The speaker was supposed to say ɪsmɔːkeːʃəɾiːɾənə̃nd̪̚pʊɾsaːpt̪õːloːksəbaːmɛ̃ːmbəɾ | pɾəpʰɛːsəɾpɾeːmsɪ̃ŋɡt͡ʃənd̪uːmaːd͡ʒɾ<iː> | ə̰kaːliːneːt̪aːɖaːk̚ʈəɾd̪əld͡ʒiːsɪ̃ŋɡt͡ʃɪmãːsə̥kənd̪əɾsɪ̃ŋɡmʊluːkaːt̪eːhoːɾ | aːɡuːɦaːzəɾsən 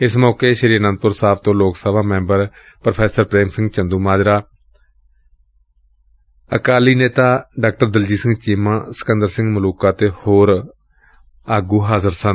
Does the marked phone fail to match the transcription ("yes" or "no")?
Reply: yes